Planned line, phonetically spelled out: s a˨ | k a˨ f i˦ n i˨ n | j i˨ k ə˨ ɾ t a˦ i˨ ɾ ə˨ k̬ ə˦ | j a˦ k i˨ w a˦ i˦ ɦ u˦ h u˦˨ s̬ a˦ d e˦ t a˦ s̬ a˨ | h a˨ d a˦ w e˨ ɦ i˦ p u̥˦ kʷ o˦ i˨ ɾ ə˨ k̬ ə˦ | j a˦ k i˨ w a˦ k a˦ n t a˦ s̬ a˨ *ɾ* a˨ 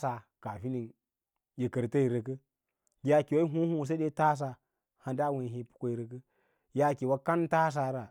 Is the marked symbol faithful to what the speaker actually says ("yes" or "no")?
yes